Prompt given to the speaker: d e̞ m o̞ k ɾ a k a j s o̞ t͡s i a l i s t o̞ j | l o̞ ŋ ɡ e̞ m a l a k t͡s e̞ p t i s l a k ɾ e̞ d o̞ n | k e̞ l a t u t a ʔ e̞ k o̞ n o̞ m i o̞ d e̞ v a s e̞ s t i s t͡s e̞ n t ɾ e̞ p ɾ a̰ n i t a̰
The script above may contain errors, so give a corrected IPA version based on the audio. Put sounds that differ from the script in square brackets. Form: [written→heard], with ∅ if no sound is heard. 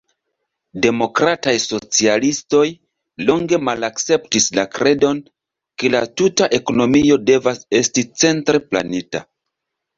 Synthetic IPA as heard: d e̞ m o̞ k ɾ a [k→t] a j s o̞ t͡s i a l i s t o̞ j | l o̞ ŋ ɡ e̞ m a l a k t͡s e̞ p t i s l a k ɾ e̞ d o̞ n | k e̞ l a t u t a ʔ e̞ k o̞ n o̞ m i o̞ d e̞ v a s e̞ s t i [s→∅] t͡s e̞ n t ɾ e̞ p [ɾ→l] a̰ n i t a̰